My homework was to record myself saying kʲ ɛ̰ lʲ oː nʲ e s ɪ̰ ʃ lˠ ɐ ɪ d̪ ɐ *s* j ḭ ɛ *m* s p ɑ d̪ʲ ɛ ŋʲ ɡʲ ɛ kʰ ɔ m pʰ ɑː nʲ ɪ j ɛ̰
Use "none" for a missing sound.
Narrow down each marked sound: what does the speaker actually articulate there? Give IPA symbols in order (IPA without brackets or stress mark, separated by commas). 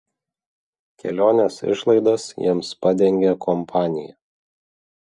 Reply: s, m